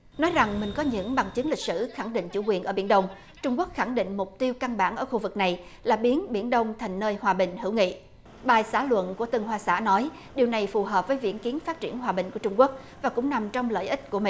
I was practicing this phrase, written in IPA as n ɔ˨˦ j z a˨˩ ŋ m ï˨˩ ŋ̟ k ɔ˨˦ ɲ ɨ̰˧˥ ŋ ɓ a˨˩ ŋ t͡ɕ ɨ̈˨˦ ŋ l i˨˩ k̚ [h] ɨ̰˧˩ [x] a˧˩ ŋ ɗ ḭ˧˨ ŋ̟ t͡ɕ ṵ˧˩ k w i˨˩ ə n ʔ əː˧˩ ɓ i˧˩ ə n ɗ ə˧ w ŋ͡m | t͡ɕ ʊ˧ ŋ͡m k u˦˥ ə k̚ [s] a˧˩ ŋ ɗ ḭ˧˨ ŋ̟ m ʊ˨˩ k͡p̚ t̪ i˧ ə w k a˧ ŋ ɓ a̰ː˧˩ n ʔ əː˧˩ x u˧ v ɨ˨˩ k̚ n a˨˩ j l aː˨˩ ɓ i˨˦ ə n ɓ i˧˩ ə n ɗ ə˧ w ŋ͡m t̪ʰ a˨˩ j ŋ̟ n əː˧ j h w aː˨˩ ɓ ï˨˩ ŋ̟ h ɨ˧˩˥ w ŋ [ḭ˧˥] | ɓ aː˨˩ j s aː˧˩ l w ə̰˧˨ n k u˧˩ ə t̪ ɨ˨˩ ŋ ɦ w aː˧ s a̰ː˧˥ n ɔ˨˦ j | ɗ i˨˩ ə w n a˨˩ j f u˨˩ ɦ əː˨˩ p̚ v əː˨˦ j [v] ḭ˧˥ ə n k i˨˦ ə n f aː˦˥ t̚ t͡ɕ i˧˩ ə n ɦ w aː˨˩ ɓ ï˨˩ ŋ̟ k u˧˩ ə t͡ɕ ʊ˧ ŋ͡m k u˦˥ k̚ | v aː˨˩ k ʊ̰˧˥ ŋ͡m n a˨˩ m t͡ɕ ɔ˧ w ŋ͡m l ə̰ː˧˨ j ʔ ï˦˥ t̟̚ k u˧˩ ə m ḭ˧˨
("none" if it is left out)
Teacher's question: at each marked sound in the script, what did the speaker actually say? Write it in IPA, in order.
s, x, x, ḭ˧˨, v

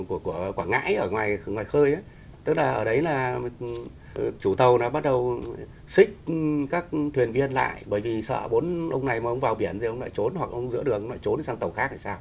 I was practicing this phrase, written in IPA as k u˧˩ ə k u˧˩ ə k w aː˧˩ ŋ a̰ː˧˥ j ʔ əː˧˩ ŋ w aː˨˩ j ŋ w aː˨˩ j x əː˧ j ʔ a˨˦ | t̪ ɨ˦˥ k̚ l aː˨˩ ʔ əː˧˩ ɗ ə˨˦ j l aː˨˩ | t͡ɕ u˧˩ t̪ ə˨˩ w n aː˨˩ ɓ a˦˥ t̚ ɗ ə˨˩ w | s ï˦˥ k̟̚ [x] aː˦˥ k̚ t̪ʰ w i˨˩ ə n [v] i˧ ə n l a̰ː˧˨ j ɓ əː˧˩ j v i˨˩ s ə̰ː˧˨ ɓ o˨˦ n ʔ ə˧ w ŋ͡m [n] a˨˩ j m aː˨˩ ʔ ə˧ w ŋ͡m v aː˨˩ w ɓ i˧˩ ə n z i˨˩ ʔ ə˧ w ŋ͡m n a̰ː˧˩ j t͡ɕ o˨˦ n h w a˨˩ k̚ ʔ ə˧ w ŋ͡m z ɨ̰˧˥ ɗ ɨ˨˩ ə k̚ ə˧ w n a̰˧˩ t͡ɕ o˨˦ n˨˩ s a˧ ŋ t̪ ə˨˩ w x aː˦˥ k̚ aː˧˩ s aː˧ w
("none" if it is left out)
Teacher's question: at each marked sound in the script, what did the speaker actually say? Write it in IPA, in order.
k, v, n

